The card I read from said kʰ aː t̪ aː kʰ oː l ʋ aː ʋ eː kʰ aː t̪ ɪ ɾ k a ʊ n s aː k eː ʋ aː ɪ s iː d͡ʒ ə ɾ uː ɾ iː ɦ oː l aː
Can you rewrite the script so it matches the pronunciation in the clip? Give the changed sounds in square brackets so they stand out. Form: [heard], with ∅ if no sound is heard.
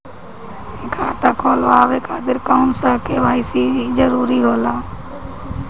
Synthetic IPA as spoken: kʰ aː t̪ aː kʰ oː l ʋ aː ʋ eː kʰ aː t̪ ɪ ɾ k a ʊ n s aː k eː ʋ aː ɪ s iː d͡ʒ ə ɾ uː ɾ iː ɦ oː l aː